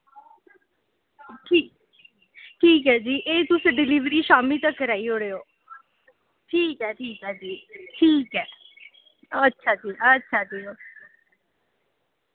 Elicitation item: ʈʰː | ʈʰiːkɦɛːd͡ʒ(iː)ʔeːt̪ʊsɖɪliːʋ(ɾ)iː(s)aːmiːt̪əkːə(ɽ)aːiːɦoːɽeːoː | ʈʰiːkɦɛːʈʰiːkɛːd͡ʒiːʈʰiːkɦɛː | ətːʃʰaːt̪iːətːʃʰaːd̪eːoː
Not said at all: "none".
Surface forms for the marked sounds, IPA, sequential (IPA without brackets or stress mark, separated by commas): iː, ɾ, ʃ, ɾ